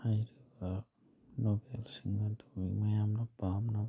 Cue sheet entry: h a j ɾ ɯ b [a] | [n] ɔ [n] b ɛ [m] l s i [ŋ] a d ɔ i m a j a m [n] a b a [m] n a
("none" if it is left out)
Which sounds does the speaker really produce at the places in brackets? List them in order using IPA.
a, n, none, none, ŋ, n, m

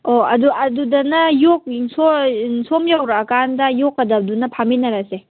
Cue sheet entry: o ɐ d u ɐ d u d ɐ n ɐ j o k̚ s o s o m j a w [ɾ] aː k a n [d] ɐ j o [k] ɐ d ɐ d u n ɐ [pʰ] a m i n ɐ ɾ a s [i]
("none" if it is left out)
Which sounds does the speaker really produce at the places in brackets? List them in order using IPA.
ɾ, d, k, pʰ, e

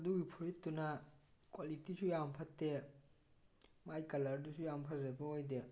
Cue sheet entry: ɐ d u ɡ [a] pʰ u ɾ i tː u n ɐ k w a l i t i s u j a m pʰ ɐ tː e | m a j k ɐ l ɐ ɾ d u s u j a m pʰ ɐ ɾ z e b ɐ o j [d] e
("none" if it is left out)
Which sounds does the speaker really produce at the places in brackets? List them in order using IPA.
i, d

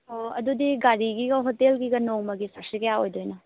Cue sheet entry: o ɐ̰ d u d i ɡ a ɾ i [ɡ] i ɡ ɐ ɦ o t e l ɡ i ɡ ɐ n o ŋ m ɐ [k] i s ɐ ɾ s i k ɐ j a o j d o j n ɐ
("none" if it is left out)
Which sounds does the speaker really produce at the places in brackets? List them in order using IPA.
ɡ, ɡ

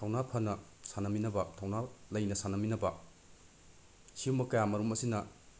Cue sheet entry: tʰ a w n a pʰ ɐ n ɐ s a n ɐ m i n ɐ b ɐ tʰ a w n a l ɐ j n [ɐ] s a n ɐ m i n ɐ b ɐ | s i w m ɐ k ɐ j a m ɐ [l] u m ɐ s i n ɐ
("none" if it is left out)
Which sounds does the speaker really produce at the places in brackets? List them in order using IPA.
ɐ, ɾ

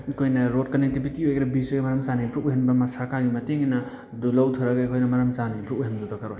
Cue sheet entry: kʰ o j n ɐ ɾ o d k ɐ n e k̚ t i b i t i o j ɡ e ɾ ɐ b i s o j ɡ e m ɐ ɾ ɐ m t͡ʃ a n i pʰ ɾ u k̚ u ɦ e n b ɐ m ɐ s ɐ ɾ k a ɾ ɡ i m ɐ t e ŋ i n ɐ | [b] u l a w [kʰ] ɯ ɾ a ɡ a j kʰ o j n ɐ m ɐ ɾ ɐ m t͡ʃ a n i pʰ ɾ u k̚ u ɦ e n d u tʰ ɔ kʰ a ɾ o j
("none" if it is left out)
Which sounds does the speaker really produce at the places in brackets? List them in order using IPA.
d, tʰ

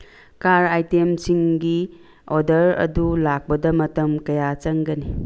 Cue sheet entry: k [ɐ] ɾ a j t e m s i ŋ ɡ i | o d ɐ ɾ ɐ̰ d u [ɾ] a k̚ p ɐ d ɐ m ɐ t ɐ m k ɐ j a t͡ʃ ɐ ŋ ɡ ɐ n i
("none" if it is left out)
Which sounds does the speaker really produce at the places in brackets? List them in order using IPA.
a, l

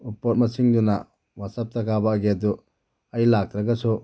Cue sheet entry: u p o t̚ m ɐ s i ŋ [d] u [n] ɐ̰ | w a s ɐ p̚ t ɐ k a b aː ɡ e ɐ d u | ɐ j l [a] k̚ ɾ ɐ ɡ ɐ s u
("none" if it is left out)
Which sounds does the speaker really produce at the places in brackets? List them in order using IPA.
d, n, a

